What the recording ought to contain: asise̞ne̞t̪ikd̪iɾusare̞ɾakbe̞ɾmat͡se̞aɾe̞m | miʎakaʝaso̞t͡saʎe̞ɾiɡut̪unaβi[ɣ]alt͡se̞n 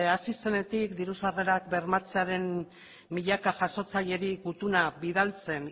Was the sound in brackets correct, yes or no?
no